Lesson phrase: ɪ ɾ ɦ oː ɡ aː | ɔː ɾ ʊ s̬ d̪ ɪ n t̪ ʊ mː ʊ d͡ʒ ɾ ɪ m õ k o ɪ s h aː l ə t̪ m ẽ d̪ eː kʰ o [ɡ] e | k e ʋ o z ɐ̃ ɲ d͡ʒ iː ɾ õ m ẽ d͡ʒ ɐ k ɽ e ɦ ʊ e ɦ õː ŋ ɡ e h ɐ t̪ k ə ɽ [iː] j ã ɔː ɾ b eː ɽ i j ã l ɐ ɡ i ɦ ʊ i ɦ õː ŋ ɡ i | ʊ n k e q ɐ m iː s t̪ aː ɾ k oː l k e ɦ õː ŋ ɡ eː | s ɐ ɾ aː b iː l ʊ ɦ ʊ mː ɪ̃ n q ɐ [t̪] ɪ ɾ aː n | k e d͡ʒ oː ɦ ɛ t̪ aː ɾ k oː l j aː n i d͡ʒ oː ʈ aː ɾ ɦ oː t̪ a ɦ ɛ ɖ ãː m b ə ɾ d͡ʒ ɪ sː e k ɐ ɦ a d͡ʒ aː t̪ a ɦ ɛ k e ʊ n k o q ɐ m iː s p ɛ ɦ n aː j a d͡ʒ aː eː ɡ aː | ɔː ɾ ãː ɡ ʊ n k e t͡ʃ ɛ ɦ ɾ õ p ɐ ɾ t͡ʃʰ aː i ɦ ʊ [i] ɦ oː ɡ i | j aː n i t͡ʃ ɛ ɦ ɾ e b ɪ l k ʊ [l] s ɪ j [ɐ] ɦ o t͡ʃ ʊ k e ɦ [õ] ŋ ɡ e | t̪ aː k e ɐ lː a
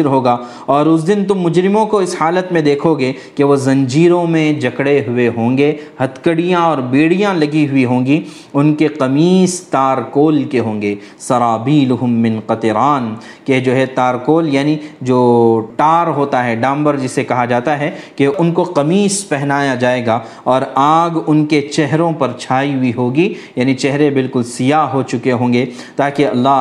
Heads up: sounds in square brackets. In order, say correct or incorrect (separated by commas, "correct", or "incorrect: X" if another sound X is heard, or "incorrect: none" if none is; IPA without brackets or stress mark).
correct, incorrect: i, correct, correct, correct, incorrect: a, incorrect: õː